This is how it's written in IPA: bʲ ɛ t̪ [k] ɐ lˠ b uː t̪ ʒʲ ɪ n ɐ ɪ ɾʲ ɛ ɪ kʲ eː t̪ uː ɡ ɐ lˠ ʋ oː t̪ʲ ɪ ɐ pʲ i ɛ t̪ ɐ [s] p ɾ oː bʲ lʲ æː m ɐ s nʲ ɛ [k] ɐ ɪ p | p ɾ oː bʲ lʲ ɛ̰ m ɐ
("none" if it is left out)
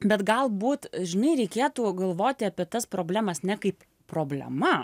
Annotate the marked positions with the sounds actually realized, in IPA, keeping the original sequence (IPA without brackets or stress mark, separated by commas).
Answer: ɡ, s, k